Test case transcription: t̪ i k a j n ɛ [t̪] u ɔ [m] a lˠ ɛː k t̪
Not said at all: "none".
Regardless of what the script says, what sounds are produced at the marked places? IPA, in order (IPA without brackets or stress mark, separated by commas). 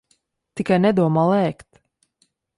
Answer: d̪, m